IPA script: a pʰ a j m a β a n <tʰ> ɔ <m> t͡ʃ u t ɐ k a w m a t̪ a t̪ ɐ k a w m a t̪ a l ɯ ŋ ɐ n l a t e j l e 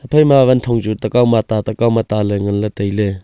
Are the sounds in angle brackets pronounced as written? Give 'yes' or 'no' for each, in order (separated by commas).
yes, no